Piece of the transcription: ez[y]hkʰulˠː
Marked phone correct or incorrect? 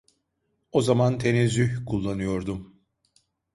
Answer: correct